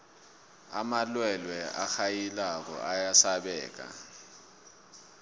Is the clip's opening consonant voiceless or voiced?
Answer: voiced